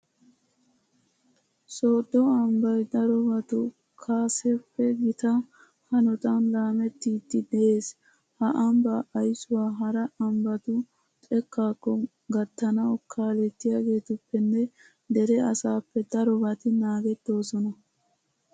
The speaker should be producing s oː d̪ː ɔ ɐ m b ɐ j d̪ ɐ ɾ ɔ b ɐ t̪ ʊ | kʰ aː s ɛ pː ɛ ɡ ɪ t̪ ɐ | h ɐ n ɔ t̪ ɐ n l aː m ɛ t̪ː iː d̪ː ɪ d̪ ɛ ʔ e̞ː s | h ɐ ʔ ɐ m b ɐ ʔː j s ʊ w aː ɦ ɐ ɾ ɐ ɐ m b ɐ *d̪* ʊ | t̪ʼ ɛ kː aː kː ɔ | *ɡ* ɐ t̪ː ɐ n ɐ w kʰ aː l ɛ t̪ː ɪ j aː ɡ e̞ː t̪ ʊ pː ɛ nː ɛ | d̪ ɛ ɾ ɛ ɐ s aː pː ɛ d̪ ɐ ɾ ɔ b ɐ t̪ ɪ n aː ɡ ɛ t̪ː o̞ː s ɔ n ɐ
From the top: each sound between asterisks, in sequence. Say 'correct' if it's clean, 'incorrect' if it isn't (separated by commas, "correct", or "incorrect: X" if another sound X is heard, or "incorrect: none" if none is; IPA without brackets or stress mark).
incorrect: t̪, correct